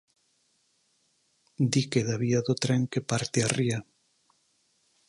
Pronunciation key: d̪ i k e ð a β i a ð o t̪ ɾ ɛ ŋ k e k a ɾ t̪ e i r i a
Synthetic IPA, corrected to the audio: d̪ i k e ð a β i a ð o t̪ ɾ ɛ ŋ k e p a ɾ t̪ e a r i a